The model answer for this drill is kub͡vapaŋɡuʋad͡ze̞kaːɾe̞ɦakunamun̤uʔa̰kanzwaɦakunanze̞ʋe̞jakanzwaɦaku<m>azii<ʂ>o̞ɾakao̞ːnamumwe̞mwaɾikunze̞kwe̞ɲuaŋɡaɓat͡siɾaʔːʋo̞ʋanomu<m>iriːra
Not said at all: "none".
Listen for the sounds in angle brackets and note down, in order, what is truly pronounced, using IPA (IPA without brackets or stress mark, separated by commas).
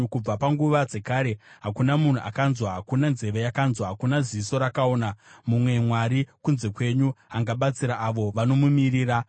n, s, m